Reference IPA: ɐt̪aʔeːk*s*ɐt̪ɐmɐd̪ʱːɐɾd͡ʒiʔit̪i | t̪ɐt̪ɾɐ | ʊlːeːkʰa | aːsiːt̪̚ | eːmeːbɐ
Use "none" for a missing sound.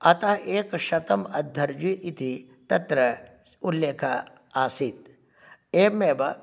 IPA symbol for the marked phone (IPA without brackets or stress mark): ʃ